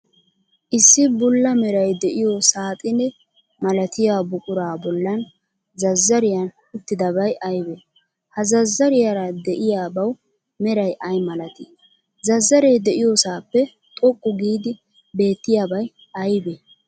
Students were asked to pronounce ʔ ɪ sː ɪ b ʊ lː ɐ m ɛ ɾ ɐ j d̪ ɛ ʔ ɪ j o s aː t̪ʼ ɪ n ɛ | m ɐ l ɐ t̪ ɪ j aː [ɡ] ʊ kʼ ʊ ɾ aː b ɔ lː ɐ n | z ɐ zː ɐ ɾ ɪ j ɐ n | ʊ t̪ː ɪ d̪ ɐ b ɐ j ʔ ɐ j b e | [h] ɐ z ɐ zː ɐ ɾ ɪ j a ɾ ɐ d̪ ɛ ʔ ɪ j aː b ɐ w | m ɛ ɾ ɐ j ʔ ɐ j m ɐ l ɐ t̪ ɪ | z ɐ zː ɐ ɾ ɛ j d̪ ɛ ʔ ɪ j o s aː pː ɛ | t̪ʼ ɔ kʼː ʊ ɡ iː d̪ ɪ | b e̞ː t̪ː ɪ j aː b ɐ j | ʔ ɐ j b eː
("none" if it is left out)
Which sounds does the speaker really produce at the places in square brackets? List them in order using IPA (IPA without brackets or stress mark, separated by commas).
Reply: b, h